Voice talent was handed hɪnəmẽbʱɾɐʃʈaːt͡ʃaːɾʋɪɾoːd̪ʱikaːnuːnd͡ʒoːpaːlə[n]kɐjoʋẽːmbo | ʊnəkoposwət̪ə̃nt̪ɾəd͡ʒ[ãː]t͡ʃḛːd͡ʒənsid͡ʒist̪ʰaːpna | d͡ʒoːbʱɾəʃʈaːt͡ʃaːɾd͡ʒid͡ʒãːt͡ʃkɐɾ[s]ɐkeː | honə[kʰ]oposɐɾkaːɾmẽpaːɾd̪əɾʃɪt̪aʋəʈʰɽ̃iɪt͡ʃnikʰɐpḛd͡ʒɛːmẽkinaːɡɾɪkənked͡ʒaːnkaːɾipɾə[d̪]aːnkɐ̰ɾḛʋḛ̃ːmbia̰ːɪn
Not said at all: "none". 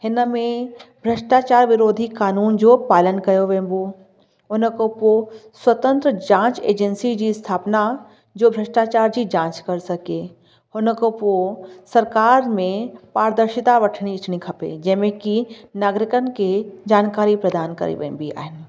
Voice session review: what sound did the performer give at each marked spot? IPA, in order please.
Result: n, ãː, s, k, d̪

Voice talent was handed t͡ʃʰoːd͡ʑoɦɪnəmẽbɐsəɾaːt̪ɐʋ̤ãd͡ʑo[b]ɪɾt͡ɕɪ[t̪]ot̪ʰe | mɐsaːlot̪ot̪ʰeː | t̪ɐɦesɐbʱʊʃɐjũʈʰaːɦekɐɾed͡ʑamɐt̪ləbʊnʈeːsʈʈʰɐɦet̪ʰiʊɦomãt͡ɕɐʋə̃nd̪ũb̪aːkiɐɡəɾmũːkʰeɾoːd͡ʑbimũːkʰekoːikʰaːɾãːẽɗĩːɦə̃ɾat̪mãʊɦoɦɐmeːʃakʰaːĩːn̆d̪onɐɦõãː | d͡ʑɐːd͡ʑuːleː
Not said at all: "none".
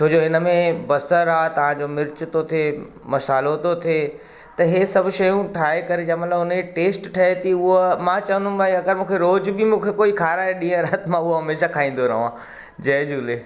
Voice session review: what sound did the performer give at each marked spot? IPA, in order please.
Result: m, t̪

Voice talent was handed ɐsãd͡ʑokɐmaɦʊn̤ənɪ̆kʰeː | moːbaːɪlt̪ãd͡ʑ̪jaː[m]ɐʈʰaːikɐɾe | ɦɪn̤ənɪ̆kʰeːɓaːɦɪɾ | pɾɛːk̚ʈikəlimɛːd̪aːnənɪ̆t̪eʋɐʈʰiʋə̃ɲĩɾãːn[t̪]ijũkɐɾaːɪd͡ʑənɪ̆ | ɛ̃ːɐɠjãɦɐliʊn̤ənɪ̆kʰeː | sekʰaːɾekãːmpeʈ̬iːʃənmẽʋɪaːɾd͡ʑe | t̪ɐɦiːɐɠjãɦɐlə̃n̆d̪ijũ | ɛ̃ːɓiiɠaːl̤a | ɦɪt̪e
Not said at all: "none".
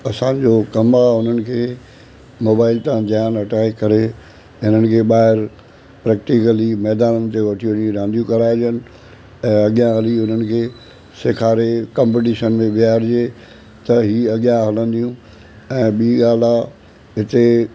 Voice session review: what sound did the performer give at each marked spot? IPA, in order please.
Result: n, d̪

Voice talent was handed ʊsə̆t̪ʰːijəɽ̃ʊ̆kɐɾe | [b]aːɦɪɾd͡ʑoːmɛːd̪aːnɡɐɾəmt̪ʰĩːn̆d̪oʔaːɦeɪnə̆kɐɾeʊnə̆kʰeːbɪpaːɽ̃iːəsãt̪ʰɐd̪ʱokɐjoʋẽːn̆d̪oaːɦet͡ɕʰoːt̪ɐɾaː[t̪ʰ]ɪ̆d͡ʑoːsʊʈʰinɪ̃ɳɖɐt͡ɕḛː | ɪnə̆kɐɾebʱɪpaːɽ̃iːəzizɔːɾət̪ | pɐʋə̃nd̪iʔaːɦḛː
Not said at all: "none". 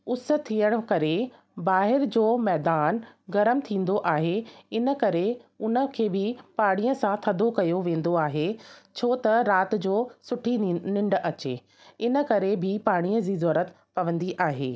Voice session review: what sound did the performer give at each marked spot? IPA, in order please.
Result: b, t̪

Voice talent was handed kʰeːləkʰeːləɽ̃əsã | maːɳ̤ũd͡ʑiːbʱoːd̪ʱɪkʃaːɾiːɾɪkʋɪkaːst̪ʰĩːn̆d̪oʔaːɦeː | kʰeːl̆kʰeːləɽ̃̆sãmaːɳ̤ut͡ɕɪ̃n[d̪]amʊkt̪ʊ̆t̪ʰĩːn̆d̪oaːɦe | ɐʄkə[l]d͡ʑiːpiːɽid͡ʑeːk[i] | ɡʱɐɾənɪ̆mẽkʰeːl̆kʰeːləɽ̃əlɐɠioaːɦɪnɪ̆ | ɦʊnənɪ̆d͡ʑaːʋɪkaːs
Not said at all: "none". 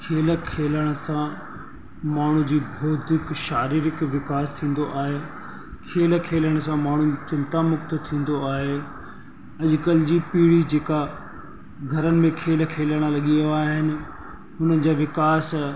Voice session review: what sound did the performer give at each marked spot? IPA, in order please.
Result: t̪, l, a

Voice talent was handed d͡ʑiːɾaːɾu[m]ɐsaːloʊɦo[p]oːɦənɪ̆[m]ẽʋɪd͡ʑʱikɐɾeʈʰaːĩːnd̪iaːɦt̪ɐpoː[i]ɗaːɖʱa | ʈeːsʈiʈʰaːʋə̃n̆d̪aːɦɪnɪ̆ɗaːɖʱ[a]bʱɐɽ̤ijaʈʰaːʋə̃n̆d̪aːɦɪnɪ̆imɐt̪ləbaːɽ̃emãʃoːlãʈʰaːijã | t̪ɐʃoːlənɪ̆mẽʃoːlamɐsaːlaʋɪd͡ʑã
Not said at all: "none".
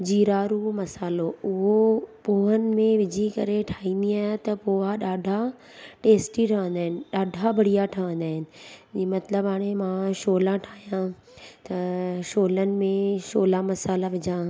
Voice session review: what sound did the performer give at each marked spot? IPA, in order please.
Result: m, p, m, a, a

